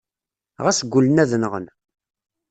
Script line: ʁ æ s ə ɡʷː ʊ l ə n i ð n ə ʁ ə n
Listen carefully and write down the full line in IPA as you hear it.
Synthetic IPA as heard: ʁ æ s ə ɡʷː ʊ l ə n æ ð n ə ʁ ə n